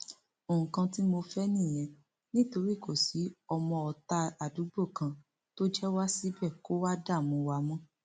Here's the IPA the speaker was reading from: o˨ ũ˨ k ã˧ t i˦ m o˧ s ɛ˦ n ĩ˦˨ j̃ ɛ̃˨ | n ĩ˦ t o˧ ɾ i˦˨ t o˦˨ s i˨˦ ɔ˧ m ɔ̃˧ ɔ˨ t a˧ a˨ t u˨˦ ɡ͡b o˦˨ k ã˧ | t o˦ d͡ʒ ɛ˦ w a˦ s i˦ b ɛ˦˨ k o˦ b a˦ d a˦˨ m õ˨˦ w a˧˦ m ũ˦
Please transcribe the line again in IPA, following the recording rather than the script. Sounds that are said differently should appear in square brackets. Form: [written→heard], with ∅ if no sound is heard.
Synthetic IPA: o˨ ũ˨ k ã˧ t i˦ m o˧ [s→f] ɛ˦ n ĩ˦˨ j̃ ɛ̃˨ | n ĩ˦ t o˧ ɾ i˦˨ [t→k] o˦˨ s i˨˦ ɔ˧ m ɔ̃˧ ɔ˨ t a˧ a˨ [t→d] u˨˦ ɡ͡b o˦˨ k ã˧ | t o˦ d͡ʒ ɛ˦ w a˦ s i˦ b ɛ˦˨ k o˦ [b→w] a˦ d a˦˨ m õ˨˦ w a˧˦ m [ũ˦→ɔ̃˦]